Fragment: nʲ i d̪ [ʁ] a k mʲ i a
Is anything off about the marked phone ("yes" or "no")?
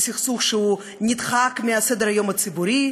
yes